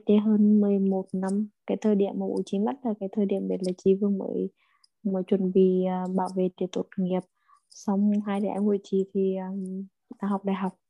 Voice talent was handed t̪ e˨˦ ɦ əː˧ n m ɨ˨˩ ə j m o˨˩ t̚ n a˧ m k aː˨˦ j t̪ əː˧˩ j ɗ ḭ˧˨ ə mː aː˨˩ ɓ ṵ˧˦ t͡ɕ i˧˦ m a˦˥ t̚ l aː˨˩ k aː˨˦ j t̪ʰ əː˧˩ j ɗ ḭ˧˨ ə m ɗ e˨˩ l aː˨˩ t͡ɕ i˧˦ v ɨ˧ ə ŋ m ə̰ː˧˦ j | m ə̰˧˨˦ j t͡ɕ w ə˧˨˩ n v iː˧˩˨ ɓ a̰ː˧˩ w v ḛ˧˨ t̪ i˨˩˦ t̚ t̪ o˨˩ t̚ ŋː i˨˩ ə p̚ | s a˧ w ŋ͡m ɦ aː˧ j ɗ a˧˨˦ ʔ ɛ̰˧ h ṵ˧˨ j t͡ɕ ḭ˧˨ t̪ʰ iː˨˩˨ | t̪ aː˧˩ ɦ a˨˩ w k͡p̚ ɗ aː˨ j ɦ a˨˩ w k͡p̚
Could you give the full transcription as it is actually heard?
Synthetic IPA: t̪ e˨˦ ɦ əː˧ n m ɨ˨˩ ə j m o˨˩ t̚ n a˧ m k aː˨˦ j t̪ʰ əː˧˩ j ɗ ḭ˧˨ ə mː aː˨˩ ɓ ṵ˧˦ t͡ɕ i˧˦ m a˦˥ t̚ l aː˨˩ k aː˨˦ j t̪ʰ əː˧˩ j ɗ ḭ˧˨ ə m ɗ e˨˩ l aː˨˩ t͡ɕ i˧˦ v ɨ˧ ə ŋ m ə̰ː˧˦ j | m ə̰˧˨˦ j t͡ɕ w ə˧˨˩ n v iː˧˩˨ ɓ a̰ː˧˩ w v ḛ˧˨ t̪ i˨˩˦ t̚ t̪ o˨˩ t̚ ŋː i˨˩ ə p̚ | s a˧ w ŋ͡m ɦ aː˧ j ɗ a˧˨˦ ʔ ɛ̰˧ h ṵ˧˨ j t͡ɕ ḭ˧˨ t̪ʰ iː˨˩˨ | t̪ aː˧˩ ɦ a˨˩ w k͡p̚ ɗ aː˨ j ɦ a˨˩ w k͡p̚